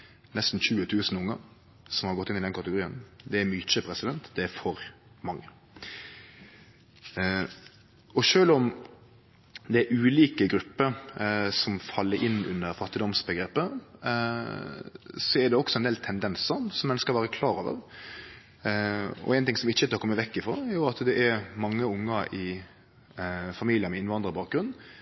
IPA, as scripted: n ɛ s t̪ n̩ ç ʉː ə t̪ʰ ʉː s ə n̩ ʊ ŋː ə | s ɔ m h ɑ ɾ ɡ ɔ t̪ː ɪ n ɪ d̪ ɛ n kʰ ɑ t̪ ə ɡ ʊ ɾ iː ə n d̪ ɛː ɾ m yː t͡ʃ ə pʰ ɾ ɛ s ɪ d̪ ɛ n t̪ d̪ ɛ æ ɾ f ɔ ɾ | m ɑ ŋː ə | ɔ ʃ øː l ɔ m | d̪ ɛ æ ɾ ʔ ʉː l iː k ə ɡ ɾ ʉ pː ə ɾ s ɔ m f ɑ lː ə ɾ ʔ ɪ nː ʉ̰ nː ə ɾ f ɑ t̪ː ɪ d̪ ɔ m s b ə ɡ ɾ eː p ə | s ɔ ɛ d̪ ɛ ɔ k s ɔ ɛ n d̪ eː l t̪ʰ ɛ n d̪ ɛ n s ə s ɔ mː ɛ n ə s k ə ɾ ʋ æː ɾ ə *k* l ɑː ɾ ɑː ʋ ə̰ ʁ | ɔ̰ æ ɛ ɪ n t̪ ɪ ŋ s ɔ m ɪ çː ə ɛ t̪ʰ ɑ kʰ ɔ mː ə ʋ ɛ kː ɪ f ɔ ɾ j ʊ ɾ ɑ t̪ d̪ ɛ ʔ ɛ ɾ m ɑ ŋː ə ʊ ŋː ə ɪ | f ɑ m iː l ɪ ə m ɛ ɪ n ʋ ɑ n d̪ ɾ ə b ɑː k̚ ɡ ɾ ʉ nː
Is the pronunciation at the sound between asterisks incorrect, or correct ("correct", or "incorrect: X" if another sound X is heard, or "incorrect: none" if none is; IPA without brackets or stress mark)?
incorrect: kʰ